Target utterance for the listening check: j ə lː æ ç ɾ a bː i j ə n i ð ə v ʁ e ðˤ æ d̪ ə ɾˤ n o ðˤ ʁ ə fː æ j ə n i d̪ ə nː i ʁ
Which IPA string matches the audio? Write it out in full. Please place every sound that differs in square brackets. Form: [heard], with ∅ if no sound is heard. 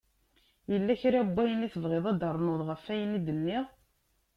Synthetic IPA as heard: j ə lː æ ç ɾ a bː [æ] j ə n i [θ] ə v ʁ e ðˤ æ d̪ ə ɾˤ n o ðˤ ʁ ə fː æ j ə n i d̪ ə nː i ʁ